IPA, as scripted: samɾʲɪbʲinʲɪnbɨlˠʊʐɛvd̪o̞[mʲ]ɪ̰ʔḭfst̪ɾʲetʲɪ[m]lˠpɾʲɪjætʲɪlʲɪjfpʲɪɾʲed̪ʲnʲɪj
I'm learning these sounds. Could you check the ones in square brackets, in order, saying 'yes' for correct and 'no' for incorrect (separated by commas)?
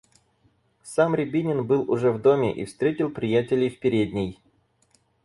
yes, no